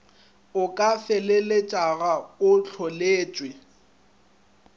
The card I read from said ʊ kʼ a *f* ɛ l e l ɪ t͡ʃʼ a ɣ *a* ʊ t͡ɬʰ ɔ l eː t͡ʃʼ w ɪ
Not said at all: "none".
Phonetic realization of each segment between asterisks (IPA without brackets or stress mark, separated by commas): f, a